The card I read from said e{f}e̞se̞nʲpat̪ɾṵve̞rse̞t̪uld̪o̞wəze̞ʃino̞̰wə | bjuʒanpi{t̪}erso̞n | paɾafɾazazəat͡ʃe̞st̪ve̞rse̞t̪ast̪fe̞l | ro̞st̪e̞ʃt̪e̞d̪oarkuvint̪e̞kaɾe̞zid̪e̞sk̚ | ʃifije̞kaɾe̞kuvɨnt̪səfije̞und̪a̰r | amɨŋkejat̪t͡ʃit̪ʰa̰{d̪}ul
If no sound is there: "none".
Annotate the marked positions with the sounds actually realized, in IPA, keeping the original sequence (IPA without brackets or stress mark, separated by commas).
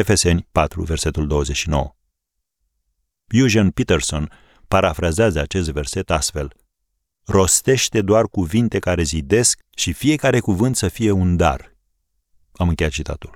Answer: f, t̪, t̪